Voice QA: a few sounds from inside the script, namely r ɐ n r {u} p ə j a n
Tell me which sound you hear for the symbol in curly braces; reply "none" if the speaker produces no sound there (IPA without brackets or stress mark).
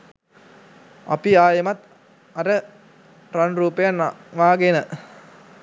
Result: uː